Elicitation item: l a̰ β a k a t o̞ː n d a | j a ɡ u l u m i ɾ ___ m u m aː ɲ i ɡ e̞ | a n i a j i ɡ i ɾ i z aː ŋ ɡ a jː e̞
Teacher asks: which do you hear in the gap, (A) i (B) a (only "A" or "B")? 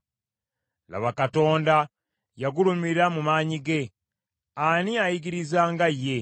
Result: B